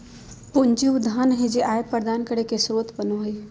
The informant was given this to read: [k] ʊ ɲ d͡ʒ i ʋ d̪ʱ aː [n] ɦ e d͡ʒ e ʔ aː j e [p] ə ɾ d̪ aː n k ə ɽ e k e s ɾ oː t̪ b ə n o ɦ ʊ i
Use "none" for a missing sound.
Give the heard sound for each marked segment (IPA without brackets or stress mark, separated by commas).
p, n, p